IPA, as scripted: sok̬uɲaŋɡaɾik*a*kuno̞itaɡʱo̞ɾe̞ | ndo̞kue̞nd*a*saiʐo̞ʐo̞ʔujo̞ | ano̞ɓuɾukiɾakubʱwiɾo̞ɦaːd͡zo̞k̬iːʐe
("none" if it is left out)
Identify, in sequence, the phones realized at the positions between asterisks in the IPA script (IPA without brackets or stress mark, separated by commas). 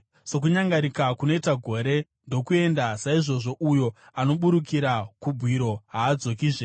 a, a